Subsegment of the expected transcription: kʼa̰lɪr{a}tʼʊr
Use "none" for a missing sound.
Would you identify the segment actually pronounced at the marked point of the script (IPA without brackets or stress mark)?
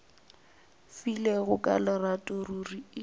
a